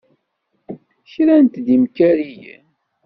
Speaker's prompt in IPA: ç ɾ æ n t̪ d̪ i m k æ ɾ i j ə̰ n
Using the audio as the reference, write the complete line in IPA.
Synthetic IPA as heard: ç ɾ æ n t̪ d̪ i m k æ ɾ i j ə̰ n